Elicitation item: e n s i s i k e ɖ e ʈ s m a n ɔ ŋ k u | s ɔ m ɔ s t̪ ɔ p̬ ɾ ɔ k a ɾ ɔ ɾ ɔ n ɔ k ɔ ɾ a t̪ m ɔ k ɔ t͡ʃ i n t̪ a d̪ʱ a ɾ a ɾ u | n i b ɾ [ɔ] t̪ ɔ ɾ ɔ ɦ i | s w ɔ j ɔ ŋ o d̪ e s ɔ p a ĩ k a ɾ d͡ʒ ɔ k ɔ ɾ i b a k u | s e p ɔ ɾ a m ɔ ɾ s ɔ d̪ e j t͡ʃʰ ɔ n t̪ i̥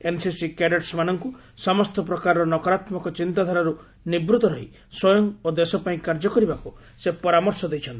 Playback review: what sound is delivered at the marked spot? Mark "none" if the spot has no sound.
u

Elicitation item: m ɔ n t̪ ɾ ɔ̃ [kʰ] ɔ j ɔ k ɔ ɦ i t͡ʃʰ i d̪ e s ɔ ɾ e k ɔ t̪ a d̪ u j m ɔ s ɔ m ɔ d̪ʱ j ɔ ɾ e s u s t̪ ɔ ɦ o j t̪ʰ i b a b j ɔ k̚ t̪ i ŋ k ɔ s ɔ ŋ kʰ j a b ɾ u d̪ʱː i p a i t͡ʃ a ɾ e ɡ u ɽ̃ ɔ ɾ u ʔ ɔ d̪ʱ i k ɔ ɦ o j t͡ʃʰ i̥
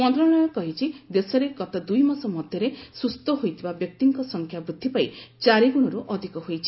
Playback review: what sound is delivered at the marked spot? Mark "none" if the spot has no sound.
none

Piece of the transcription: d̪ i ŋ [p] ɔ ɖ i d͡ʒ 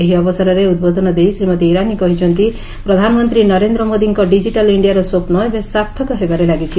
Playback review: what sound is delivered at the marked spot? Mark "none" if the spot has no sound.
k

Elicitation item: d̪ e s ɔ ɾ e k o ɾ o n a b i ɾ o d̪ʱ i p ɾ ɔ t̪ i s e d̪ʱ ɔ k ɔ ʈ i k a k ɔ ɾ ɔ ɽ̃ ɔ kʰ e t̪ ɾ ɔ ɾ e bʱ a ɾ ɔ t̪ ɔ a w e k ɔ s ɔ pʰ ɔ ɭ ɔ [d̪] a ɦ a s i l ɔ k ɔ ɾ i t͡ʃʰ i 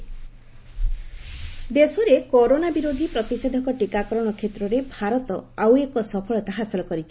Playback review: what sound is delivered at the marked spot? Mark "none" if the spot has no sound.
t̪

